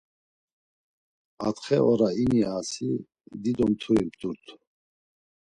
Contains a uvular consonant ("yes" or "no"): yes